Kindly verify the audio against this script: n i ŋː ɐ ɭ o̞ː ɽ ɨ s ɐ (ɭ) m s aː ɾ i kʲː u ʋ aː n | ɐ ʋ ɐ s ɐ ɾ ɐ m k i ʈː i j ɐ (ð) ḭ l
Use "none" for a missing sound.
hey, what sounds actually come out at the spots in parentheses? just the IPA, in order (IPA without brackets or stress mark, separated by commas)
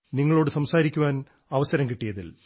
none, ð